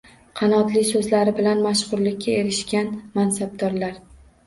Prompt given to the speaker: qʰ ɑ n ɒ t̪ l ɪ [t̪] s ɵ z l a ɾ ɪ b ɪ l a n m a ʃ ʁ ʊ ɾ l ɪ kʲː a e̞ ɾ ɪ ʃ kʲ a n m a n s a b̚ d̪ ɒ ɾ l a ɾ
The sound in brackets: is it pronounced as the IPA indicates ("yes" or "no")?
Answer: no